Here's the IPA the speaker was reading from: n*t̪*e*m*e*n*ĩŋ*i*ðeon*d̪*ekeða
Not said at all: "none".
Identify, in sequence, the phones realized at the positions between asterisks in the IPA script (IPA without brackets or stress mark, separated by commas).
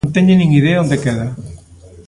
t̪, ɲ, n, i, d̪